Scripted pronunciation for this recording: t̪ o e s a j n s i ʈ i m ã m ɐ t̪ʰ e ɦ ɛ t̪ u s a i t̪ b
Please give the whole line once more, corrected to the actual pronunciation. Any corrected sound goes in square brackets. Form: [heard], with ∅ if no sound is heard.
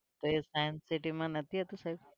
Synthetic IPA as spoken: t̪ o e s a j n s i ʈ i m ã [n] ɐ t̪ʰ [i] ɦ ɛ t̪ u s a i [∅] b